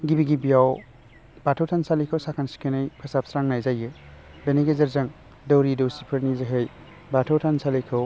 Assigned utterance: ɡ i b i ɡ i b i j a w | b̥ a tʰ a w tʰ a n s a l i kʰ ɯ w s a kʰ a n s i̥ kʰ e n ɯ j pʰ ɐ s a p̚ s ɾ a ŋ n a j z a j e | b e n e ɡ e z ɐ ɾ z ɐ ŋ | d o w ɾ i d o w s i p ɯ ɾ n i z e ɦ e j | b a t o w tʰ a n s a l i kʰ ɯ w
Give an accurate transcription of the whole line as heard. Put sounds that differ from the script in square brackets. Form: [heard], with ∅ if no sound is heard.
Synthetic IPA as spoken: ɡ i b i ɡ i b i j a w | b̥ a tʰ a w tʰ a n s a l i kʰ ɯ w s a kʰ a n s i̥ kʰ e n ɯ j pʰ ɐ s a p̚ s ɾ a ŋ n a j z a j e | b e n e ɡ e z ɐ ɾ z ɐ ŋ | d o w ɾ i d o w s i [pʰ] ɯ ɾ n i z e ɦ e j | b a [tʰ] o w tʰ a n s a l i kʰ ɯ w

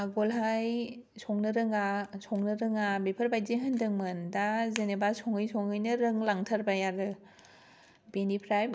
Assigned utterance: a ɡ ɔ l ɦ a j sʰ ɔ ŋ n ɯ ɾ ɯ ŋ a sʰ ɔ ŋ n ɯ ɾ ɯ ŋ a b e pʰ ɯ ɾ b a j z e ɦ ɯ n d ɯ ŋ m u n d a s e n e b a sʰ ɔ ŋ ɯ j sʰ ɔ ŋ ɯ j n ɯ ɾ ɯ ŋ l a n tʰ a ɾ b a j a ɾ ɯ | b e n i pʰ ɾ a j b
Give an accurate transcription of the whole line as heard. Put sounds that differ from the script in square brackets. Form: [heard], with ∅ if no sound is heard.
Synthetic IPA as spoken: a ɡ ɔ l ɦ a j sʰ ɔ ŋ n ɯ ɾ ɯ ŋ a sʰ ɔ ŋ n ɯ ɾ ɯ ŋ a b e pʰ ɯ ɾ b a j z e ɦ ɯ n d ɯ ŋ m [ɯ] n d a [z] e n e b a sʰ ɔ ŋ ɯ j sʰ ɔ ŋ ɯ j n ɯ ɾ ɯ ŋ l a [ŋ] tʰ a ɾ b a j a ɾ ɯ | b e n i pʰ ɾ a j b

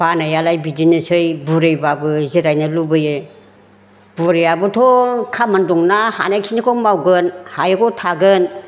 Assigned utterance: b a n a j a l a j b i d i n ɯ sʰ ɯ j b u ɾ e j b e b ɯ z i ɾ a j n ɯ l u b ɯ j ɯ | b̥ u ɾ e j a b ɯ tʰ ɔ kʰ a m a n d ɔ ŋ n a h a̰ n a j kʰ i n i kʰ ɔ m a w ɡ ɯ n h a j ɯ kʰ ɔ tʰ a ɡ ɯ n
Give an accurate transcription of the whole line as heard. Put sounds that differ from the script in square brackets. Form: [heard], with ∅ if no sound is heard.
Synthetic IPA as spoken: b a n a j a l a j b i d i n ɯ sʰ ɯ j b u ɾ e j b [a] b ɯ z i ɾ a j n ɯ l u b ɯ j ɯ | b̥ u ɾ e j a b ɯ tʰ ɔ kʰ a m a n d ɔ ŋ n a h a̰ n a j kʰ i n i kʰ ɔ m a w ɡ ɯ n h a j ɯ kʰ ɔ tʰ a ɡ ɯ n

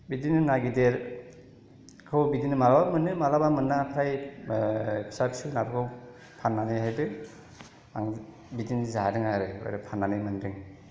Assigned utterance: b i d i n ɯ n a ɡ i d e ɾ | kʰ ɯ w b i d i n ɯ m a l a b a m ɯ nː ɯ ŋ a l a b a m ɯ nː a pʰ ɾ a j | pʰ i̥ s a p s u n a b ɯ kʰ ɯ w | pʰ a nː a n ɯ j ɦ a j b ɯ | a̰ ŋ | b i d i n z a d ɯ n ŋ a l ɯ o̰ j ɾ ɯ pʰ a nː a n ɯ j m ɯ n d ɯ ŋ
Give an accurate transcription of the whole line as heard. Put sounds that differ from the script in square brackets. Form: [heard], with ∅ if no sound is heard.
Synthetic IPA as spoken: b i d i n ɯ n a ɡ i d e ɾ | kʰ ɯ w b i d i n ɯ m a l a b a m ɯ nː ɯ [m] a l a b a m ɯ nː a pʰ ɾ a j | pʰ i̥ s a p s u n a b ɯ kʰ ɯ w | pʰ a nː a n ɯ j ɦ a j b ɯ | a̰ ŋ | b i d i n z a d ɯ [∅] ŋ a [ɾ] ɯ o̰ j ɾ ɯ pʰ a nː a n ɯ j m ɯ n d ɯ ŋ

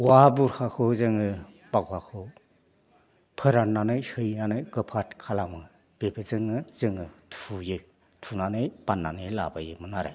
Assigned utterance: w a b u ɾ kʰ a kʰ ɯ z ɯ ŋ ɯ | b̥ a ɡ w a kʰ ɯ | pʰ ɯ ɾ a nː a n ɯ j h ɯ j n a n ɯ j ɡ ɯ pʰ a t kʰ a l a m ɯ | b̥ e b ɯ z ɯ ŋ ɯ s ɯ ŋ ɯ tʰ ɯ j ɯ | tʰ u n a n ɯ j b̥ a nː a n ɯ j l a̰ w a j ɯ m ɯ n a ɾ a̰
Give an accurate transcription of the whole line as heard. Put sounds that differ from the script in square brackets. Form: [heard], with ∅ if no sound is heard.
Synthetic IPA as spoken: w a b u ɾ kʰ a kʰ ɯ z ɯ ŋ ɯ | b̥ a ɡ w a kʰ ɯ | pʰ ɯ ɾ a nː a n ɯ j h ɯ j n a n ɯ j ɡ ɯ pʰ a t kʰ a l a m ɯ | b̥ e b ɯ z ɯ ŋ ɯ [z] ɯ ŋ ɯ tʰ [u] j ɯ | tʰ u n a n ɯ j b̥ a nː a n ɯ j l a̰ [b] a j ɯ m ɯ n a ɾ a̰

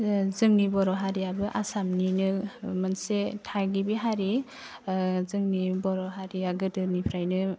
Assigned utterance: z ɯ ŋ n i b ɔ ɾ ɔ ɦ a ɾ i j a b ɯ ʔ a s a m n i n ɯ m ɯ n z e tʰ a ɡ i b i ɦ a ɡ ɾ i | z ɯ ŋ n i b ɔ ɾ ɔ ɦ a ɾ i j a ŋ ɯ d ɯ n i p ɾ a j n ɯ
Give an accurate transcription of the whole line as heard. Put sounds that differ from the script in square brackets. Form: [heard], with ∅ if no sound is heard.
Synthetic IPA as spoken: z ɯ ŋ n i b ɔ ɾ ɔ ɦ a ɾ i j a b ɯ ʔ a s a m n i n ɯ m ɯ n [s] e tʰ a ɡ i b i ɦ a [∅] ɾ i | z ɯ ŋ n i b ɔ ɾ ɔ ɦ a ɾ i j a [ɡ] ɯ d ɯ n i [pʰ] ɾ a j n ɯ

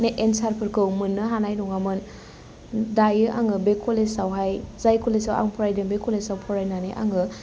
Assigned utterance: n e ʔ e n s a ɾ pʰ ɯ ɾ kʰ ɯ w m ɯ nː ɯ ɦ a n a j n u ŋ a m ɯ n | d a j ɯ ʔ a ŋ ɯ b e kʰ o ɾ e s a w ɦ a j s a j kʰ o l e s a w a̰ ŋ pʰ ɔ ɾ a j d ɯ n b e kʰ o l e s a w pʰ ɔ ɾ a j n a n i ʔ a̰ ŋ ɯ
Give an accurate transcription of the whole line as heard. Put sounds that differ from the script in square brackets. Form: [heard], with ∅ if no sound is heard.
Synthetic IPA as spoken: n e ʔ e n s a ɾ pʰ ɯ ɾ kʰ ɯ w m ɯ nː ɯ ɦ a n a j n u ŋ a m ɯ n | d a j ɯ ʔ a ŋ ɯ b e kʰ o [l] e s a w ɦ a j [z] a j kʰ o l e s a w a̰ ŋ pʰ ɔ ɾ a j d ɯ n b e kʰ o l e s a w pʰ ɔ ɾ a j n a n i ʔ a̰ ŋ ɯ

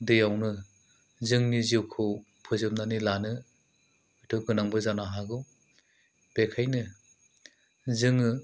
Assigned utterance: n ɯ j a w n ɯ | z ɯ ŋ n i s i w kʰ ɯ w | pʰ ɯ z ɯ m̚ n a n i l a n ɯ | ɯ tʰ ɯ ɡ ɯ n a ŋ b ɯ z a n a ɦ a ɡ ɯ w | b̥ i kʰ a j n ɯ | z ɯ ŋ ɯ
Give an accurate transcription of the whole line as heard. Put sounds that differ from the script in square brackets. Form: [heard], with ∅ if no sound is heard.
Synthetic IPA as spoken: [d] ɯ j a w n ɯ | z ɯ ŋ n i [z] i w kʰ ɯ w | pʰ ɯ z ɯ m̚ n a n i l a n ɯ | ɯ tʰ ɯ ɡ ɯ n a ŋ b ɯ z a n a ɦ a ɡ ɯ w | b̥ [e] kʰ a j n ɯ | z ɯ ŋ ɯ

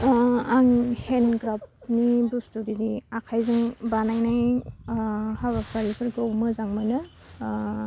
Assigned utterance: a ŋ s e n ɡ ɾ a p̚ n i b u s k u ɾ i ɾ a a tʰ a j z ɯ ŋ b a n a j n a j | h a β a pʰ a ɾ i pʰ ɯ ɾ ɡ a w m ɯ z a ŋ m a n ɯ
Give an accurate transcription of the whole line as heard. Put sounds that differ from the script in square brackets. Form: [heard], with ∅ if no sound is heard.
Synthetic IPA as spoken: a ŋ [h] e n ɡ ɾ a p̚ n i b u s [t] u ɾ i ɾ [i] a [kʰ] a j z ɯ ŋ b a n a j n a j | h a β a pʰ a ɾ i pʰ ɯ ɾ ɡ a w m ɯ z a ŋ m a n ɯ

